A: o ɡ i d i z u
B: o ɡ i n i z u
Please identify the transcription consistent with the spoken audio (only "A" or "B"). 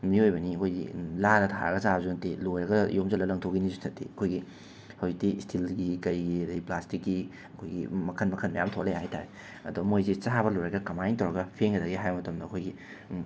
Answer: B